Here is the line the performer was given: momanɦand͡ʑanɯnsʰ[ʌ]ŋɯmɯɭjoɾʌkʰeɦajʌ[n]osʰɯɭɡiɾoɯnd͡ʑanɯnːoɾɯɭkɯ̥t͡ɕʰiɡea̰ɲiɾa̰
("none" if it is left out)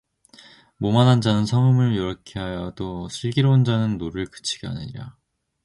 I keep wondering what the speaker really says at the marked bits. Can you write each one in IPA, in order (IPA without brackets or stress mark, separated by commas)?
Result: ʌ, d